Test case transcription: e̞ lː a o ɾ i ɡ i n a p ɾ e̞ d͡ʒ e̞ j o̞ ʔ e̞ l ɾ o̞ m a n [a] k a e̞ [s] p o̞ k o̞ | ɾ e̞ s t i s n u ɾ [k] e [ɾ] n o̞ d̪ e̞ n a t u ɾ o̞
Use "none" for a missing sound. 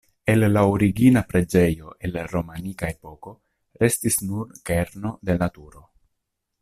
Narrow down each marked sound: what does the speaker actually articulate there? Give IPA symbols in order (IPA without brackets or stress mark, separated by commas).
i, none, k, ɾ